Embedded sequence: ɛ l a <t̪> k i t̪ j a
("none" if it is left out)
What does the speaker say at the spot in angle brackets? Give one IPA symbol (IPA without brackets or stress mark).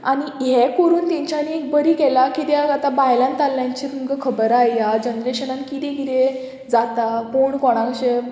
none